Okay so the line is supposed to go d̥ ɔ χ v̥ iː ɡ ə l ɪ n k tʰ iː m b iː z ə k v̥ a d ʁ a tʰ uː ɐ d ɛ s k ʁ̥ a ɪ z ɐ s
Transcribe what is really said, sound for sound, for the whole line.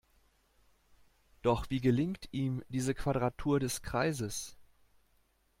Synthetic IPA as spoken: d̥ ɔ χ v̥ iː ɡ ə l ɪ ŋ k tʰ iː m d iː z ə k v̥ a d ʁ a tʰ uː ɐ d ɛ s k ʁ̥ a ɪ z ə s